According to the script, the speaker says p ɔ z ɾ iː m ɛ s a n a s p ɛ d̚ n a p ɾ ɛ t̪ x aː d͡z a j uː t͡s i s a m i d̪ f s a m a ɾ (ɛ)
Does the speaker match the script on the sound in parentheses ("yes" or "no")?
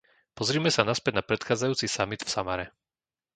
yes